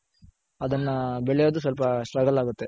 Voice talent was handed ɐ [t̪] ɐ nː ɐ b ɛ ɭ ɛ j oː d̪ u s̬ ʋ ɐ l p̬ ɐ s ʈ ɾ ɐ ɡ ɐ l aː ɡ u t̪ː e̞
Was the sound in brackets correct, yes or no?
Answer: no